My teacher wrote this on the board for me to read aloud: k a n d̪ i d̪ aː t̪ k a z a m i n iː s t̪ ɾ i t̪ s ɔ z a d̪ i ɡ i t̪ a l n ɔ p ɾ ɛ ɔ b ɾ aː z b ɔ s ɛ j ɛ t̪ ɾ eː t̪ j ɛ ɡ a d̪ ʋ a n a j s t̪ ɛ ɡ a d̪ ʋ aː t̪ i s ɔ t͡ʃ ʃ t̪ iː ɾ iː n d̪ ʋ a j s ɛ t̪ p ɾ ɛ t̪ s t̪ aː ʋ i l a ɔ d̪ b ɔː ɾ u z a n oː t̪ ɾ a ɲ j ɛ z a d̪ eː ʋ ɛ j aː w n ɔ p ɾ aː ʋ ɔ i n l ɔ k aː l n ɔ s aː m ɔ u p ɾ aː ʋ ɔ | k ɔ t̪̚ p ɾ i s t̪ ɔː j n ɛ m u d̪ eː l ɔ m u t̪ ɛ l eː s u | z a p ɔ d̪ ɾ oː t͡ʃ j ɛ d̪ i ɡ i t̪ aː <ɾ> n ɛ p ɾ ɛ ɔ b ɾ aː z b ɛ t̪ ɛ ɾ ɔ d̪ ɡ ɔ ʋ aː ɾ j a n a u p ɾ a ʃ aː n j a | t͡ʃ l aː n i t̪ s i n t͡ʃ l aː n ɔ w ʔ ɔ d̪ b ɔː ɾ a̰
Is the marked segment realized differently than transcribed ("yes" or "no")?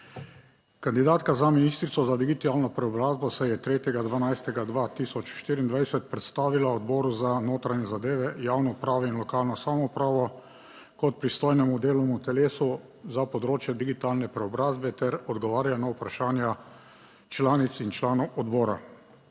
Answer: yes